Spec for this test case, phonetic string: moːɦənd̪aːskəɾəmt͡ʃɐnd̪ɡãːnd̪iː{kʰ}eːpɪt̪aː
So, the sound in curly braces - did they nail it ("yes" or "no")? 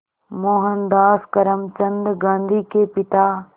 no